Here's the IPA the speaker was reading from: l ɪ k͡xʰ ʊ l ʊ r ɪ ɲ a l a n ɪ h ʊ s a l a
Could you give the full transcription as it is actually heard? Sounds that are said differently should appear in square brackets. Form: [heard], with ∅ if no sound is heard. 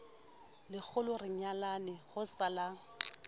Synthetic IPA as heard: l ɪ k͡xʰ ʊ l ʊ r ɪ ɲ a l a n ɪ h ʊ s a l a